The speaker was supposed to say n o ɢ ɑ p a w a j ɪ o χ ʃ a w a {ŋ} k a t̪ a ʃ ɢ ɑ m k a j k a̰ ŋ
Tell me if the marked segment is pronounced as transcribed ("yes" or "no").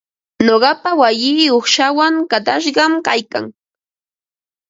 yes